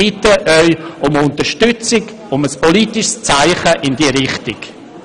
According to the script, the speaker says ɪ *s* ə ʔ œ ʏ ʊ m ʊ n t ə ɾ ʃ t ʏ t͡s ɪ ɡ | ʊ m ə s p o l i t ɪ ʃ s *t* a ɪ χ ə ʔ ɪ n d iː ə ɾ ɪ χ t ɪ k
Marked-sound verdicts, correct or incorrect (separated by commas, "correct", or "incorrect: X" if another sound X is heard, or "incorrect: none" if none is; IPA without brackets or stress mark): incorrect: t, incorrect: t͡s